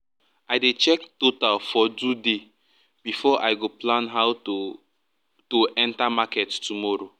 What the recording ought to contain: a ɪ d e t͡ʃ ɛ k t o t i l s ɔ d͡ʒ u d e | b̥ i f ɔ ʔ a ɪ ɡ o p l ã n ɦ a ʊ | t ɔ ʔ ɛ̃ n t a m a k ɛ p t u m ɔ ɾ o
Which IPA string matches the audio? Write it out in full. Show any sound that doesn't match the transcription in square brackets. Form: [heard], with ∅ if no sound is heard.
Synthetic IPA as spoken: a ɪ d e t͡ʃ ɛ k t o t [a] l [f] ɔ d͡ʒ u d e | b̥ i f ɔ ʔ a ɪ ɡ o p l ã n ɦ a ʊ | t [o] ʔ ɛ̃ n t a m a k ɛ [t] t u m ɔ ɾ o

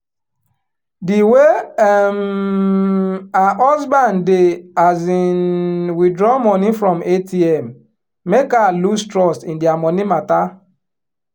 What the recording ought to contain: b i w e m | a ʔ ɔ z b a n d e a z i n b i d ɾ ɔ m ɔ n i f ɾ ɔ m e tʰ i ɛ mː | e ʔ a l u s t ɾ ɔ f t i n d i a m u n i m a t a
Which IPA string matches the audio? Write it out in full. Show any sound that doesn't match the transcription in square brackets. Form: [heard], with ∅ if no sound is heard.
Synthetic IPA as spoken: [d] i w e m | a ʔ ɔ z b a n d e a z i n [w] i d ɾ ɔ m ɔ n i f ɾ ɔ m e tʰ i ɛ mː | e [k] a l u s t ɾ ɔ [s] t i n d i a m [ɔ] n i m a t a

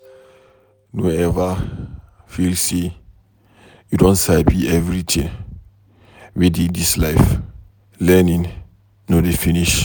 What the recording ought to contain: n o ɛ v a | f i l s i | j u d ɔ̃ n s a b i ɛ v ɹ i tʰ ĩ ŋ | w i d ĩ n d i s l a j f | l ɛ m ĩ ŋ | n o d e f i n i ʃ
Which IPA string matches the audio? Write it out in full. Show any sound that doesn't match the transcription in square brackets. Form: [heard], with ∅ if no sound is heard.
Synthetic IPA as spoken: n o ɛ v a | f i l s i | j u d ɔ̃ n s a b i ɛ v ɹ i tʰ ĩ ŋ | w i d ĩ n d i s l a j f | l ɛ [n] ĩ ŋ | n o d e f i n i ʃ

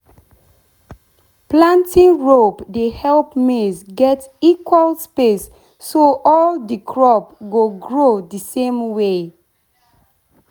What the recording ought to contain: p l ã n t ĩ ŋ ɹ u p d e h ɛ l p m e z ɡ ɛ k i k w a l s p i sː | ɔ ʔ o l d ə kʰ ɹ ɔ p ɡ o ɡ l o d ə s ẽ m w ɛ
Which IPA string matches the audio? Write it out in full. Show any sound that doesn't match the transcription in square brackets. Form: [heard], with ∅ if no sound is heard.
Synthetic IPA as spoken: p l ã n t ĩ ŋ ɹ [o] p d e h ɛ l p m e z ɡ ɛ [t] i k w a l s p [e] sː | [o] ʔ [ɔ] l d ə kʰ ɹ ɔ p ɡ o ɡ [ɹ] o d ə s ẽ m w [e]

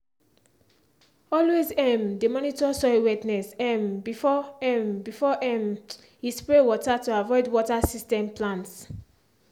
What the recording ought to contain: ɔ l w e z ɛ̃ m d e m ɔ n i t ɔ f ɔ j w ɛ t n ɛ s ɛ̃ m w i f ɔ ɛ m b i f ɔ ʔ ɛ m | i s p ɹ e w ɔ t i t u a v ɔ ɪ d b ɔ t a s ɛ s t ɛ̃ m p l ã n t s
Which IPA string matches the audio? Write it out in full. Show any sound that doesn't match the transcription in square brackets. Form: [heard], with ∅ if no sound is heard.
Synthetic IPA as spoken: ɔ l w e z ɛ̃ m d e m ɔ n i t ɔ [s] ɔ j w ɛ t n ɛ s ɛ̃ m [b] i f ɔ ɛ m b i f ɔ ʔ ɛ m | i s p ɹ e w ɔ t [a] t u a v ɔ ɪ d [w] ɔ t a s [i] s t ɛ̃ m p l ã n t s

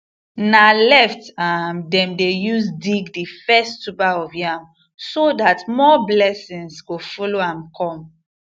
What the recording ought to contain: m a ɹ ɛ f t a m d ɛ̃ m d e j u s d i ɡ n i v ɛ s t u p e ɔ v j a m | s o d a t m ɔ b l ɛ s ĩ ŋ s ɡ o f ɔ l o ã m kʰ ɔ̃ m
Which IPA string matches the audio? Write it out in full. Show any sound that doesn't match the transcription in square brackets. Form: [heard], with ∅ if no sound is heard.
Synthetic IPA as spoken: [n] a [l] ɛ f t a m d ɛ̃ m d e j u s d i ɡ [d] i [f] ɛ s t u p [a] ɔ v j a m | s o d a t m ɔ b l ɛ s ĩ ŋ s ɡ o f ɔ l o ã m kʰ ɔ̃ m

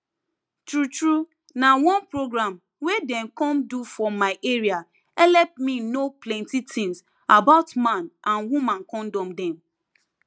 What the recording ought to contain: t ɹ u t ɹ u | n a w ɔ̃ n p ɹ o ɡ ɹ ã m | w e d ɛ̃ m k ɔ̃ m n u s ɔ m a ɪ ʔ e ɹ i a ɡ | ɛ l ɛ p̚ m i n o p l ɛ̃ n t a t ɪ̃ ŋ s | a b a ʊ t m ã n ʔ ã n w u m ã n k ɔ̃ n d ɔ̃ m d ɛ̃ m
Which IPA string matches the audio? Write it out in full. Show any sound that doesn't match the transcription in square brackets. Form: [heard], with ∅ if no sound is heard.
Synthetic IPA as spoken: t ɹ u t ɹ u | n a w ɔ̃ n p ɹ o ɡ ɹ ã m | w e d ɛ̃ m k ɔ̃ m [d] u [f] ɔ m a ɪ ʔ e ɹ i a [∅] | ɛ l ɛ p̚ m i n o p l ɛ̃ n t [i] t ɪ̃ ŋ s | a b a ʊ t m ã n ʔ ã n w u m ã n k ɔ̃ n d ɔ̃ m d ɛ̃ m

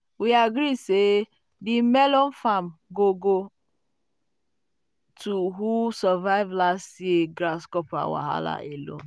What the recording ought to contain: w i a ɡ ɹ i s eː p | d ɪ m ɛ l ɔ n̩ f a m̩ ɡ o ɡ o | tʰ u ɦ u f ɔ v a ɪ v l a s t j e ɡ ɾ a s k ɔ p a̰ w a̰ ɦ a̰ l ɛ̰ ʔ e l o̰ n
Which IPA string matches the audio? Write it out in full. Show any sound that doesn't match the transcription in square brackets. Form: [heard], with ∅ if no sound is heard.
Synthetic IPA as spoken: w i a ɡ [ɾ] i s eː [∅] | d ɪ m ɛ l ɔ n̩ f a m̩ ɡ o ɡ o | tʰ u ɦ u [s] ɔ v a ɪ v l a s t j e ɡ ɾ a s k ɔ p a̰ w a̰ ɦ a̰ l [a̰] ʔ e l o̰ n

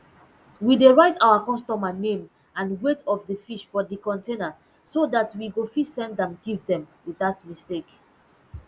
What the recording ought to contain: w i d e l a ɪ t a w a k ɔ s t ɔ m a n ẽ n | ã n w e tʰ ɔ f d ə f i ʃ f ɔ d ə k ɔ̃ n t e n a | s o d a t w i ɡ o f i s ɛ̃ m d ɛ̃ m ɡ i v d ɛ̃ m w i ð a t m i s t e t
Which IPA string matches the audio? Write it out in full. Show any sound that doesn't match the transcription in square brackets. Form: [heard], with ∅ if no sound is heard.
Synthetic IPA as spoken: w i d e [ɹ] a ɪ t a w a k ɔ s t ɔ m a n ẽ [m] | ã n w e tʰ ɔ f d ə f i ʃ f ɔ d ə k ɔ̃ n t e n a | s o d a t w i ɡ o f i s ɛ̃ [n] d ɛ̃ m ɡ i v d ɛ̃ m w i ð a t m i s t e [k]

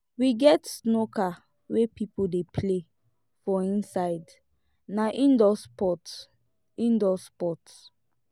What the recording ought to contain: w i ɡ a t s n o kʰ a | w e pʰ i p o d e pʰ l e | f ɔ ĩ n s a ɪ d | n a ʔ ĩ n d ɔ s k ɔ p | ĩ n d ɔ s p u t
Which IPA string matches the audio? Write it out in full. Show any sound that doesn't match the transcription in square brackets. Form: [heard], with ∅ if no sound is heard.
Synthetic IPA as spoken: w i ɡ [ɛ] t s n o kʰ a | w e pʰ i p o d e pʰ l e | f ɔ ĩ n s a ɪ d | n a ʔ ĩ n d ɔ s [p] ɔ [t] | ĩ n d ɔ s p [ɔ] t

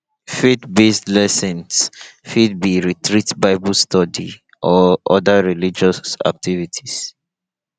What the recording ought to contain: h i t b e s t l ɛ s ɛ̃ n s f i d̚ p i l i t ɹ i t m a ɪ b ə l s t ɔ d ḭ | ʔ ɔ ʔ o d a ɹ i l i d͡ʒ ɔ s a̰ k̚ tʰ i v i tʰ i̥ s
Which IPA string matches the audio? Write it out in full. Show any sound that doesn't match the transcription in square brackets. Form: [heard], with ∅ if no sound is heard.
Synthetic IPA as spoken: [f] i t b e s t l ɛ s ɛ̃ n s f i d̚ [b] i [ɹ] i t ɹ i t [b] a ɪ b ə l s t ɔ d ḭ | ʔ ɔ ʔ [ɔ] d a ɹ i l i d͡ʒ ɔ s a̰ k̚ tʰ i v i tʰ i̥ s

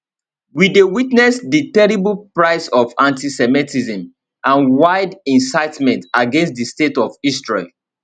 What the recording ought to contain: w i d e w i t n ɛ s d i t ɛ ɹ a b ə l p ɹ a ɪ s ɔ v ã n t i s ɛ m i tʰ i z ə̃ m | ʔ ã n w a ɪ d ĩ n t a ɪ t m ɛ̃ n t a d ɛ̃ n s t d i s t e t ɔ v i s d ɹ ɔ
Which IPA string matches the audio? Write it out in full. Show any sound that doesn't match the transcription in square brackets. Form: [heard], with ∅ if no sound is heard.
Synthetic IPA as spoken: w i d e w i t n ɛ s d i t ɛ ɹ [i] b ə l p ɹ a ɪ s ɔ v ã n t i s ɛ m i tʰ i z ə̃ m | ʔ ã n w a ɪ d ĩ n [s] a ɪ t m ɛ̃ n t a [ɡ] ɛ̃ n s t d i s t e t ɔ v i s [t] ɹ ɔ

